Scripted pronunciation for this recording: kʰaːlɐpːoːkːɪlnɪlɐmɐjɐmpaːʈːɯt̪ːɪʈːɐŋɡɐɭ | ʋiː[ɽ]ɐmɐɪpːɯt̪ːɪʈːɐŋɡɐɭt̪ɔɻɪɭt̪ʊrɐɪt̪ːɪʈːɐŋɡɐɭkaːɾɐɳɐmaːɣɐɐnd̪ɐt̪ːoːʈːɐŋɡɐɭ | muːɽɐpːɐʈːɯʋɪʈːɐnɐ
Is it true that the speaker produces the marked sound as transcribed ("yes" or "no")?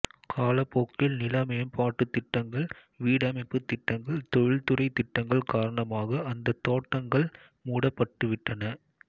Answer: yes